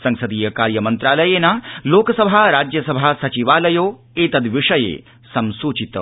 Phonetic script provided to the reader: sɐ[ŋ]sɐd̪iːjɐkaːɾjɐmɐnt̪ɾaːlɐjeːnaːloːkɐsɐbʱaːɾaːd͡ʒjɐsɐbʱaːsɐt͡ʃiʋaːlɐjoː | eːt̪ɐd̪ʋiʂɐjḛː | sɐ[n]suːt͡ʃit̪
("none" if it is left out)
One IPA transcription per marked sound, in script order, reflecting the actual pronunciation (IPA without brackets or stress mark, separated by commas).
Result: ŋ, m